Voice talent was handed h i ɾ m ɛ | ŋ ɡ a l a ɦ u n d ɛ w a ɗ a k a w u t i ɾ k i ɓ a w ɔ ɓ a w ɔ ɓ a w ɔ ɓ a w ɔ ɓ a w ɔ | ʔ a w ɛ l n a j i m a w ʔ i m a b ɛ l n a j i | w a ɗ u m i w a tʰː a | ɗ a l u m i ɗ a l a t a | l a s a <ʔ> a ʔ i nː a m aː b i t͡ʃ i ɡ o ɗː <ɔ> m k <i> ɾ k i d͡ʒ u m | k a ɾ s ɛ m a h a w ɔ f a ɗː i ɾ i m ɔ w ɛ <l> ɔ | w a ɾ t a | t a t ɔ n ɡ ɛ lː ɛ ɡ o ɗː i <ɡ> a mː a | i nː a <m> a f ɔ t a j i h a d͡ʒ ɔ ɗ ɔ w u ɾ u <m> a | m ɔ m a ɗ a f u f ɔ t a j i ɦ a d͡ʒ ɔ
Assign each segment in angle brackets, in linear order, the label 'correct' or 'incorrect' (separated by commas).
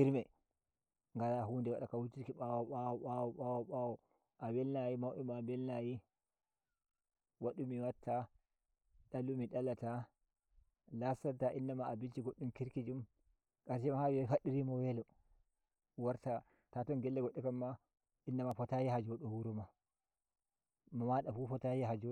incorrect, incorrect, correct, correct, incorrect, correct, correct